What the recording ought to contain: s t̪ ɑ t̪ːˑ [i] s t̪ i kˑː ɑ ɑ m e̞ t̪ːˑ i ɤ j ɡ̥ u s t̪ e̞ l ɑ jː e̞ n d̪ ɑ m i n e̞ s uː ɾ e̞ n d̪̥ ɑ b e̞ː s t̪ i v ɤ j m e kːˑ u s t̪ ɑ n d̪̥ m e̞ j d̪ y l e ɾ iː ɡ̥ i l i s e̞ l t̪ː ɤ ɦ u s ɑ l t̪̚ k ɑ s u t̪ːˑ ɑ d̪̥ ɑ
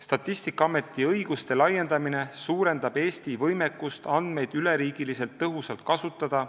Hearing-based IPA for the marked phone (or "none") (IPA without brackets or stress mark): i